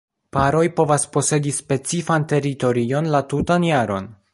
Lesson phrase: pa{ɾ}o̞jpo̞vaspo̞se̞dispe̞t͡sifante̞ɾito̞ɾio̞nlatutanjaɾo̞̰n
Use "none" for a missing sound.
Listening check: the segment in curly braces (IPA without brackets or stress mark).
ɾ